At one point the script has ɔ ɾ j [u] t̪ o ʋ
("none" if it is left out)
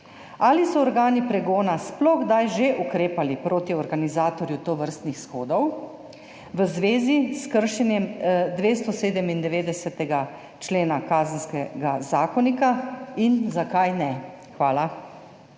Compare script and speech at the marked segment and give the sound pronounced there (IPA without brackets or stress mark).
u